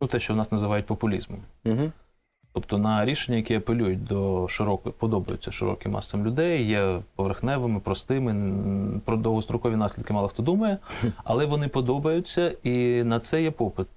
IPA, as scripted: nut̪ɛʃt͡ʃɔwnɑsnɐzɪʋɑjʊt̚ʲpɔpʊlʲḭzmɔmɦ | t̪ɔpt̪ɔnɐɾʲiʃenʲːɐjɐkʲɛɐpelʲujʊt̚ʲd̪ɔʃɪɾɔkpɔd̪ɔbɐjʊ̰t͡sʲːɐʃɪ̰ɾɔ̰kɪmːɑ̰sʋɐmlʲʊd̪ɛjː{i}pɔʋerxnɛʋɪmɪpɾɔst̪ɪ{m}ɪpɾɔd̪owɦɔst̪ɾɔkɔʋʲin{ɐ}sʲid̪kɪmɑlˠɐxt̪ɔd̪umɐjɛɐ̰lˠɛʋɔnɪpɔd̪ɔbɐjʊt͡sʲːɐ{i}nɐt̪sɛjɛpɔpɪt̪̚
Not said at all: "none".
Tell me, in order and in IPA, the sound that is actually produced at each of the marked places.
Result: ɛ, m, ɑ, i

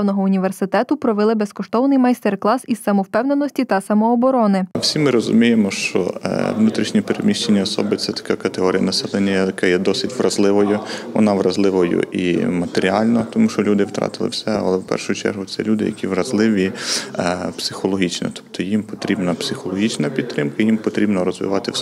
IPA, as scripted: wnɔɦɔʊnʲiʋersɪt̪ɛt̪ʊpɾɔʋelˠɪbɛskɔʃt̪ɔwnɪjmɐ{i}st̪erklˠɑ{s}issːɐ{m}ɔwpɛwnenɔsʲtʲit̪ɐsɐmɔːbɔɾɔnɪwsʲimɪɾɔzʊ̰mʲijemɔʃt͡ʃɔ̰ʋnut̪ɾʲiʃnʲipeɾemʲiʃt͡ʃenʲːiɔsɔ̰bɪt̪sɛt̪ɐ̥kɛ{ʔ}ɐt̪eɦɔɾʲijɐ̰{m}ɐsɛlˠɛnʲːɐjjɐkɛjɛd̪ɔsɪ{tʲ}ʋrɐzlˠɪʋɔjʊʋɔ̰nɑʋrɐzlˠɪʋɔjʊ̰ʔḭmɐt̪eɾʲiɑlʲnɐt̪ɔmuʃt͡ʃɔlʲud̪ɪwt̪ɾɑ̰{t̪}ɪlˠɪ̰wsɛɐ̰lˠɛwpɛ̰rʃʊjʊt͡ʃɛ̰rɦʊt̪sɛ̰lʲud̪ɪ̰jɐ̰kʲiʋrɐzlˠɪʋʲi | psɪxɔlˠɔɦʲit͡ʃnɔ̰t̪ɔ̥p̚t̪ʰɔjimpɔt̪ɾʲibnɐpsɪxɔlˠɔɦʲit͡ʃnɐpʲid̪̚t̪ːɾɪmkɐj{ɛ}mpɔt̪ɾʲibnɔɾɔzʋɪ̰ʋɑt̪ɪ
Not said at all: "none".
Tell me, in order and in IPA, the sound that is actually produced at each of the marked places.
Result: j, s, m, k, n, tʲ, t̪, i

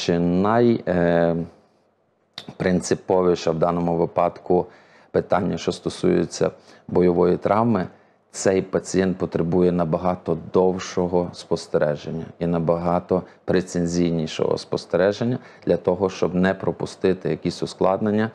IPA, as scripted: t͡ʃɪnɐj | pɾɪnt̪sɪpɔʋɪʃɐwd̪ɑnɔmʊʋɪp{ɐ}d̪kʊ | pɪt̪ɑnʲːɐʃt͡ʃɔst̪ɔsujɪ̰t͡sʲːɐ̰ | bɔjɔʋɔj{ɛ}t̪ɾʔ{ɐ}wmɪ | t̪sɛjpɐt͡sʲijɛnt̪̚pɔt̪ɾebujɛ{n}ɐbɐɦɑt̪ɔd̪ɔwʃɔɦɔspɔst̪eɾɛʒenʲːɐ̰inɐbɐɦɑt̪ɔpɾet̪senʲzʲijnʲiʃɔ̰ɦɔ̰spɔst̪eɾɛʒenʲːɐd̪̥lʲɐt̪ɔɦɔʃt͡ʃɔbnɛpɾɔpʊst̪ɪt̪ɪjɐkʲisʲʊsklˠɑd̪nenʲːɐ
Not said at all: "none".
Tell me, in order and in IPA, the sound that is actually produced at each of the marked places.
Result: ɑ, i, ɑ, n

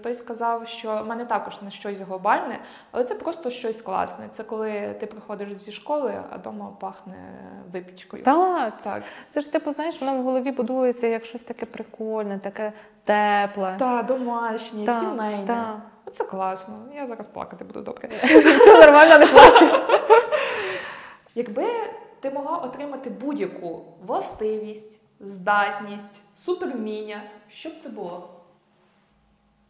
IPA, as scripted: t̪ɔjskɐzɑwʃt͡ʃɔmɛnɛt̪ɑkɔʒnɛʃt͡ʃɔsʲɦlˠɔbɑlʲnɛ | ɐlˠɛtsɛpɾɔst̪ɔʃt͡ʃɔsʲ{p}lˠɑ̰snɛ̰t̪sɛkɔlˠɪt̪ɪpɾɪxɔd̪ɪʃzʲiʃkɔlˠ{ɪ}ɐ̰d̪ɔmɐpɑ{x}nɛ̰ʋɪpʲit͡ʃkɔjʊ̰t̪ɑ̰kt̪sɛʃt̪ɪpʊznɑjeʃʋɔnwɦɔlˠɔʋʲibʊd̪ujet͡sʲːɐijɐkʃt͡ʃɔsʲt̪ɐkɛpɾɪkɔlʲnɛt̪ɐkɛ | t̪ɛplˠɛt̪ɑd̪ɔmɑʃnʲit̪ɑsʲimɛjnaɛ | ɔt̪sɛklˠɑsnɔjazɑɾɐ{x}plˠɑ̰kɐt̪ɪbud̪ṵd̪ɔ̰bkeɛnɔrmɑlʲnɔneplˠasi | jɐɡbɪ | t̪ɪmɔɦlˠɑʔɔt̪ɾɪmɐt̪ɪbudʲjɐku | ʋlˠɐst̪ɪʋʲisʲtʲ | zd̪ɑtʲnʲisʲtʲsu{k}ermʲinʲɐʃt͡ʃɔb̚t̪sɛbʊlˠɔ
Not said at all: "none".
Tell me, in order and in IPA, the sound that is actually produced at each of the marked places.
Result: k, ɪ, x, s, p

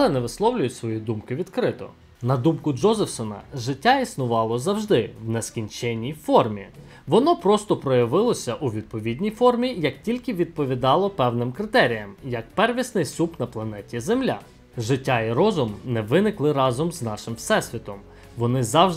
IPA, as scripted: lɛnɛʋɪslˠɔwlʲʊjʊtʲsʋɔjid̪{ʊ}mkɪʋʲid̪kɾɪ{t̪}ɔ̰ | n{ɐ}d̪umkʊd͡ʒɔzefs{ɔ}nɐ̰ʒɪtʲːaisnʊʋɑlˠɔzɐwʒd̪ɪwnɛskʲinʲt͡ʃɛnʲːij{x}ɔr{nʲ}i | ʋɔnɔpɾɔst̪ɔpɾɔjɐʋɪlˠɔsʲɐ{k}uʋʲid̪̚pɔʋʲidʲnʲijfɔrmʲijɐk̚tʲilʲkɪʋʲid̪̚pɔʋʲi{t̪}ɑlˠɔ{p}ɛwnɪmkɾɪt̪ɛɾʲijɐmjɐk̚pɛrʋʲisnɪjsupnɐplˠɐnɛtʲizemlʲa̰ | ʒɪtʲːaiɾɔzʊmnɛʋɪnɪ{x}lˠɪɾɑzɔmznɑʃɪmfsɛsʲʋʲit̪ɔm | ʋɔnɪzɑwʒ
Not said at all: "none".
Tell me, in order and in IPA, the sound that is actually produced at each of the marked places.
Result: u, t̪, ɐ, ɔ, f, mʲ, ʔ, d̪, p, k

